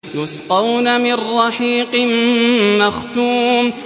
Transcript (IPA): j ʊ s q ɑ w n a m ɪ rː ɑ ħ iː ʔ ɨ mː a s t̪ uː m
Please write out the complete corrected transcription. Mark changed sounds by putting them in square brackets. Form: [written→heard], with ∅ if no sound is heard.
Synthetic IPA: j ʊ s q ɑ w n a m ɪ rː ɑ ħ iː [ʔ→q] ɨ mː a [s→x] t̪ uː m